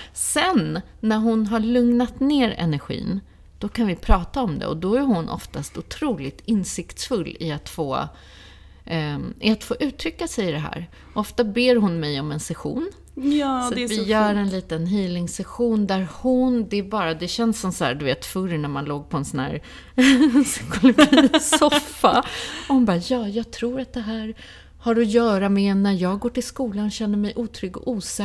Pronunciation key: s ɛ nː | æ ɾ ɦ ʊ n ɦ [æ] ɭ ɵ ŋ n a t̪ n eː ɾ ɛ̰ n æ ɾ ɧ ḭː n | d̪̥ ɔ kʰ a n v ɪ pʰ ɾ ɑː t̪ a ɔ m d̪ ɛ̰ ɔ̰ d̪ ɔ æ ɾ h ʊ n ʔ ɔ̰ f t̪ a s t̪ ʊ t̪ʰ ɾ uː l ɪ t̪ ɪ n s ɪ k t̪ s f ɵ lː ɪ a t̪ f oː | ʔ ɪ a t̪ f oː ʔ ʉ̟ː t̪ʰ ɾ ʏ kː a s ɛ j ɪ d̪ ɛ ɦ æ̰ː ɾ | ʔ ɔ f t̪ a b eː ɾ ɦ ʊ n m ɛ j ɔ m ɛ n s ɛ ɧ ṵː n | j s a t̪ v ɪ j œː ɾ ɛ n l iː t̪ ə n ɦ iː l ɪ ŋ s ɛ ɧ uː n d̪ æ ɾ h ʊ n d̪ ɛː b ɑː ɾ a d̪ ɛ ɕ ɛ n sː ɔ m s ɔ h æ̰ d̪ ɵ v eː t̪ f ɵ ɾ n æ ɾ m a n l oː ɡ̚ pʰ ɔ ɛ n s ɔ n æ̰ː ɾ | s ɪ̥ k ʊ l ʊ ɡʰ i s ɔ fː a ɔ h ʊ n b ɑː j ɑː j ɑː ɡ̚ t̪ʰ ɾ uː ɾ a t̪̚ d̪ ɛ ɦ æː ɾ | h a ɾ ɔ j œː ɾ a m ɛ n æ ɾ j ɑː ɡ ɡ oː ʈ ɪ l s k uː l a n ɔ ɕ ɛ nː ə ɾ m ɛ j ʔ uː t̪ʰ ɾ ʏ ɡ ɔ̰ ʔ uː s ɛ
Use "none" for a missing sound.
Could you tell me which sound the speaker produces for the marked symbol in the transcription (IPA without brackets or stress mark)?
a